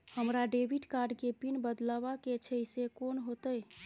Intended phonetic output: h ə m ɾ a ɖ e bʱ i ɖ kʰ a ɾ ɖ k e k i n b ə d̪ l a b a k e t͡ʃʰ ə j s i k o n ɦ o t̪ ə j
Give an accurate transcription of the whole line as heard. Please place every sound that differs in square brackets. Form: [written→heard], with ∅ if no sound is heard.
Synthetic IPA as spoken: h ə m ɾ a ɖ e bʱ i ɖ [kʰ→k] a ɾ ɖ k e [k→p] i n b ə d̪ l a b a k e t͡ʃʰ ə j s [i→e] k o n ɦ o t̪ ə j